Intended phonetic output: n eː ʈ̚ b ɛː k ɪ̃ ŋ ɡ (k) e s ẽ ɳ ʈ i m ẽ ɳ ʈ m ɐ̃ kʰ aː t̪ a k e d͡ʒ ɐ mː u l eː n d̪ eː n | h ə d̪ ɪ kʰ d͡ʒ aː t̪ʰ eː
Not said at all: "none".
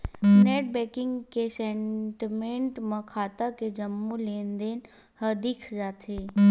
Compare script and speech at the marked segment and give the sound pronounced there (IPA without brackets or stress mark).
k